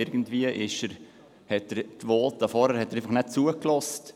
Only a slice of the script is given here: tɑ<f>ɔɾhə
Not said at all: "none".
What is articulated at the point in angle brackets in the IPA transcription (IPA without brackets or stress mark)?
f